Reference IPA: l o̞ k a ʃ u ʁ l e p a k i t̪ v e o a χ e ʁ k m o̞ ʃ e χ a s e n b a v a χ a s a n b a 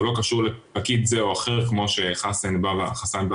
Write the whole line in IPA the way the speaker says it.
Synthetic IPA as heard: l o̞ k a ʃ u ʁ l e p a k i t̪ z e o a χ e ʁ k m o̞ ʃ e χ a s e n b a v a χ a s a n b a